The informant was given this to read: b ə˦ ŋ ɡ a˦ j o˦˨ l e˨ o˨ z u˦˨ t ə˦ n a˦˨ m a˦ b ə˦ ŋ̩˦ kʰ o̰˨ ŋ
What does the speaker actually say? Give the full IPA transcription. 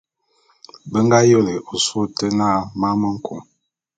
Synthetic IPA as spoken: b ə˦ ŋ ɡ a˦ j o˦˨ l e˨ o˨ s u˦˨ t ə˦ n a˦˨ m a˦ m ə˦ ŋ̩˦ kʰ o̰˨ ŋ